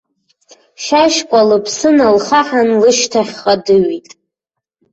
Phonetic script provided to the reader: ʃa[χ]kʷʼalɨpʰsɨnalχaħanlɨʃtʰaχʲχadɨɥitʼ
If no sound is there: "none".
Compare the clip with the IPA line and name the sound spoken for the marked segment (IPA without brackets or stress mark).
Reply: ʃ